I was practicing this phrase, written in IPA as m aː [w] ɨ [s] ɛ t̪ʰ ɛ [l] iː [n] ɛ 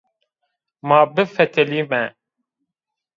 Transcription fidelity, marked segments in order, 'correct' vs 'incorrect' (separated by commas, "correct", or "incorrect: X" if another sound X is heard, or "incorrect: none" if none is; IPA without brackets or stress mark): incorrect: b, incorrect: f, correct, incorrect: m